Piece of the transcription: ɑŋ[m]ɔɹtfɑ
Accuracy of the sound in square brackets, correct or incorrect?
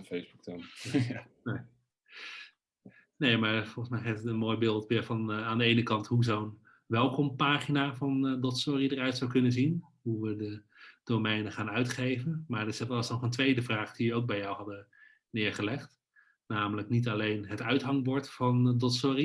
incorrect